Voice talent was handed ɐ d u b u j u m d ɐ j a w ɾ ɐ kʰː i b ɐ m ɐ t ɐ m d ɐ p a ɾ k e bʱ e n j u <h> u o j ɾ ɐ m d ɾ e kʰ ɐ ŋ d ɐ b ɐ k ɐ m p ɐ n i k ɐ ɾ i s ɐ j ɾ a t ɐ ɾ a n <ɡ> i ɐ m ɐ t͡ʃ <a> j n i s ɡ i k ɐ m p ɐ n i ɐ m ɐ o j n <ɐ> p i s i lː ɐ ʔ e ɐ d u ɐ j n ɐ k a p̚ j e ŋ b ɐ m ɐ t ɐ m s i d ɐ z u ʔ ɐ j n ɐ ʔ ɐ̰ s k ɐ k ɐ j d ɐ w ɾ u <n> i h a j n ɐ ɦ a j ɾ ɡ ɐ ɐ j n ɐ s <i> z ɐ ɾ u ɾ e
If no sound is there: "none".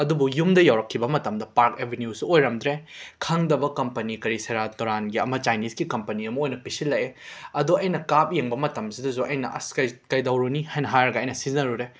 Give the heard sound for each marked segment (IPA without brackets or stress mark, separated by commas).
s, ɡ, a, ɐ, n, i